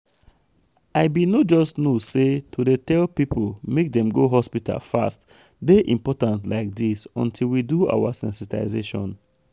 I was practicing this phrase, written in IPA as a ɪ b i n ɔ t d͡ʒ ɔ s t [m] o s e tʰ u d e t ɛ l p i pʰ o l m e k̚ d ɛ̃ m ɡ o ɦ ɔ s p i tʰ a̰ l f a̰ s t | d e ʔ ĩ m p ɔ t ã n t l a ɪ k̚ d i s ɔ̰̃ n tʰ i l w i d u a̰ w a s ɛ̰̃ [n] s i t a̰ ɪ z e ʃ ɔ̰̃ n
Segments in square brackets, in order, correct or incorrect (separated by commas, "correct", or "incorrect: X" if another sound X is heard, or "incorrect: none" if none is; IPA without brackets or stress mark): incorrect: n, correct